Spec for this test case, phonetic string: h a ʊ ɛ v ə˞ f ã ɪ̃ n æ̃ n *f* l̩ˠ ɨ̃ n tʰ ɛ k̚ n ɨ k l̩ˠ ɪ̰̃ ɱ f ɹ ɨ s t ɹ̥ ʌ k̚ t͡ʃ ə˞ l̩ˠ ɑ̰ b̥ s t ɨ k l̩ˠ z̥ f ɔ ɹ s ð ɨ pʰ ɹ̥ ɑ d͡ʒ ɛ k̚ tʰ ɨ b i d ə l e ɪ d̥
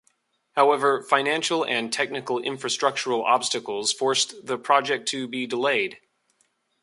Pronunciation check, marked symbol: incorrect: ʃ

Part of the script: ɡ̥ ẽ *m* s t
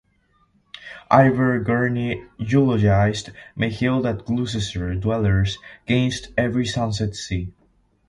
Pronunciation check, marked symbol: incorrect: n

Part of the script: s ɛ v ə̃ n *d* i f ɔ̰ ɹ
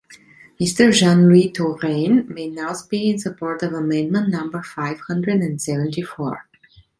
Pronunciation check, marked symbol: incorrect: t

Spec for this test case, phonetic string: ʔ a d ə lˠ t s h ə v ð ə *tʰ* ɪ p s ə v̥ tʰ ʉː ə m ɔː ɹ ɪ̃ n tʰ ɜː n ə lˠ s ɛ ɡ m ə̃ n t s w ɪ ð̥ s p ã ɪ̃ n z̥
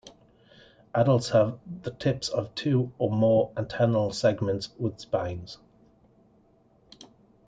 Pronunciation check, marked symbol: correct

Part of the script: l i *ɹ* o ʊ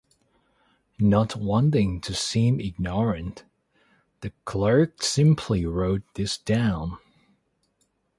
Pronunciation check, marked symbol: correct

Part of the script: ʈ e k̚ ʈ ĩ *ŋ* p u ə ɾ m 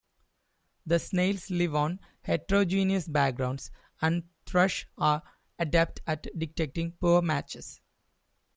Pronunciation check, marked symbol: correct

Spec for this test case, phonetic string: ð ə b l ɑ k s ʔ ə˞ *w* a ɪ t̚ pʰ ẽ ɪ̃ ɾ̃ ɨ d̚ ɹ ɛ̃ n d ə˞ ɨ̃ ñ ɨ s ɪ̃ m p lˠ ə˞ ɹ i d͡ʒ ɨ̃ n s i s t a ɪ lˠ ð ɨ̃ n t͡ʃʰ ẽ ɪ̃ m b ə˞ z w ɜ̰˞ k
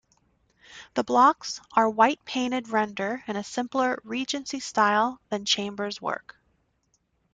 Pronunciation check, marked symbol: correct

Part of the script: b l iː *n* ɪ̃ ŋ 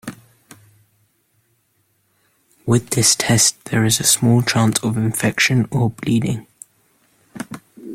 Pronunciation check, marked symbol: incorrect: d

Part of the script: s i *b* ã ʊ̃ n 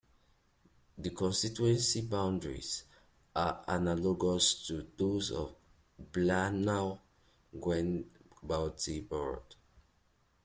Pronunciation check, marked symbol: correct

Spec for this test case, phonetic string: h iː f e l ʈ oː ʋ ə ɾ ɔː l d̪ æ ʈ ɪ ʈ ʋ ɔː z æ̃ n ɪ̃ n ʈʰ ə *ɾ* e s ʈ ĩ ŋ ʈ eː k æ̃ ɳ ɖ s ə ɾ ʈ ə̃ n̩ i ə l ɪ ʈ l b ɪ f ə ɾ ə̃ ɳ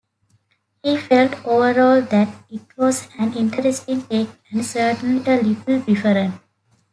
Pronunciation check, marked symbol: correct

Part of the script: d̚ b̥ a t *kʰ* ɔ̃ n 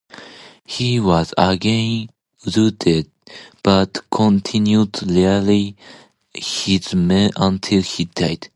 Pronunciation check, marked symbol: correct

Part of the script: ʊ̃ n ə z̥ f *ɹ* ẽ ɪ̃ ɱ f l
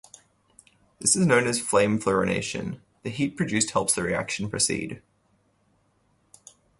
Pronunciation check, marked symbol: incorrect: l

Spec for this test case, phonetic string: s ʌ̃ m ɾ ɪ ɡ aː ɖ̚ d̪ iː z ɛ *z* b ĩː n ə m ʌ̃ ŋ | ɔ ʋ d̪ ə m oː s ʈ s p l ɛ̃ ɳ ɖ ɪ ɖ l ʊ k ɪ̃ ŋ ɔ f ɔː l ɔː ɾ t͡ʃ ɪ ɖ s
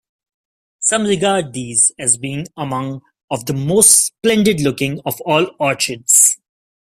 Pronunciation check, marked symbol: correct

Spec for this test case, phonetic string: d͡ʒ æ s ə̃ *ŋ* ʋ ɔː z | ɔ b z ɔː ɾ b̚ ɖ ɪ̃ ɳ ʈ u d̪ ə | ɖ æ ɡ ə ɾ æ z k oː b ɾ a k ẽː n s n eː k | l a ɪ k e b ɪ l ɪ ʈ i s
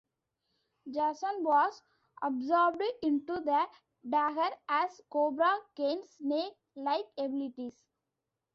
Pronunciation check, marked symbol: incorrect: n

